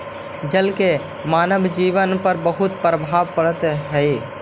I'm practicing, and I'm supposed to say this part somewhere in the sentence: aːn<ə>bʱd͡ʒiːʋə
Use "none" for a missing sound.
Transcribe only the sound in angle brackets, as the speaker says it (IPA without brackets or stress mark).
ə